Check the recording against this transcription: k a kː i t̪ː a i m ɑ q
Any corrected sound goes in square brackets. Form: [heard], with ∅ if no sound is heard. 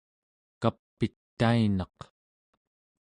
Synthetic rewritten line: k a [pː] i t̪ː a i [n] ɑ q